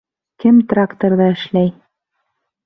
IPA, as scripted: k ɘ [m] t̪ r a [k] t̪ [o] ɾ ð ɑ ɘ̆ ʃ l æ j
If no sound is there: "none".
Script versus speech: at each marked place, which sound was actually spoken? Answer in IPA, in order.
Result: m, k, o

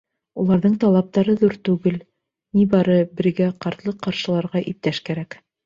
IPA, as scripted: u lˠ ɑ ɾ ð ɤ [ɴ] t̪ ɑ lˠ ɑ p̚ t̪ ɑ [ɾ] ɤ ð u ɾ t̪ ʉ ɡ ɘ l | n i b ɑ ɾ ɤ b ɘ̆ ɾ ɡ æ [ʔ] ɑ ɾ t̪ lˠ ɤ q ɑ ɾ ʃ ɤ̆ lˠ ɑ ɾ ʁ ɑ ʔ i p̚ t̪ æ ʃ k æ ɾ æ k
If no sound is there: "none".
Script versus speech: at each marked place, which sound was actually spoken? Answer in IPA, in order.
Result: ɴ, ɾ, q

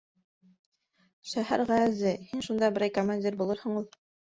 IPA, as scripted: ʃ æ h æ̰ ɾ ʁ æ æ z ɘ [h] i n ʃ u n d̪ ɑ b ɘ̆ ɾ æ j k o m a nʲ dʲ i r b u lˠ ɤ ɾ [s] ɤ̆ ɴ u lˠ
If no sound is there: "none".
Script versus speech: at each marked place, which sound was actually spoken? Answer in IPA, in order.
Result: h, h

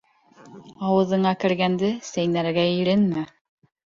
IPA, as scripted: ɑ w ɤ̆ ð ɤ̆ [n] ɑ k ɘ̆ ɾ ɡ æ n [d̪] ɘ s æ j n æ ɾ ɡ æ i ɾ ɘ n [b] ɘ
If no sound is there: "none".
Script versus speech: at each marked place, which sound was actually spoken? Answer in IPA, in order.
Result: ɴ, d̪, m

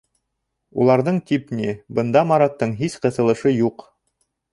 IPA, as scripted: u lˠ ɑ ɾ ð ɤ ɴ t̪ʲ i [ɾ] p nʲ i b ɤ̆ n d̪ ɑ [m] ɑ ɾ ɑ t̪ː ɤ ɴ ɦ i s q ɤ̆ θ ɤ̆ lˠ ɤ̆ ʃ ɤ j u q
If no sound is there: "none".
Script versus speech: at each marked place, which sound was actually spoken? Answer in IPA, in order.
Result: none, m

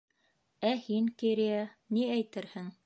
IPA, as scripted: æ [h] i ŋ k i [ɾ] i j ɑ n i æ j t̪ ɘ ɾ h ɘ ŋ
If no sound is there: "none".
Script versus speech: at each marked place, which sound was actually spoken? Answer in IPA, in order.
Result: h, ɾ

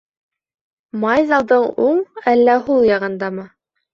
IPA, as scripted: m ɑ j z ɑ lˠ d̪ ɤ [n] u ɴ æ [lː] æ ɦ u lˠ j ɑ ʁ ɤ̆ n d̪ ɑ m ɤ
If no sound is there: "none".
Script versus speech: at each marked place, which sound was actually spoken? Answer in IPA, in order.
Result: ɴ, lː

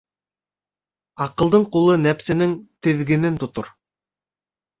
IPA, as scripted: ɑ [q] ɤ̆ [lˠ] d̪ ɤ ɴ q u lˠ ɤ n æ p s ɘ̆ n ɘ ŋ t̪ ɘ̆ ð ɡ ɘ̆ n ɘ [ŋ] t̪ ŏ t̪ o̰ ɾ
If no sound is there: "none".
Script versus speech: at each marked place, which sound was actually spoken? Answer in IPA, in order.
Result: q, lˠ, n

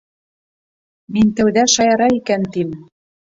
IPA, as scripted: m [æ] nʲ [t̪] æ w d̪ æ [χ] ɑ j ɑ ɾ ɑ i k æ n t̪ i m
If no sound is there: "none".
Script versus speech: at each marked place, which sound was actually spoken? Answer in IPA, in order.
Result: i, t̪, ʃ

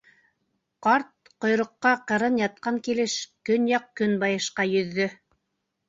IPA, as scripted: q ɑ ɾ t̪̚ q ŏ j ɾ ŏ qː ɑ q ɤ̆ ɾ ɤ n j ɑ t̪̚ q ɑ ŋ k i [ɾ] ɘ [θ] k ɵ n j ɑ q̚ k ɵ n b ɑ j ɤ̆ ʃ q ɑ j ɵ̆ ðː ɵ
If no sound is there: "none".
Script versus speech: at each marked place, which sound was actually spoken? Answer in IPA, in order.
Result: l, ʃ

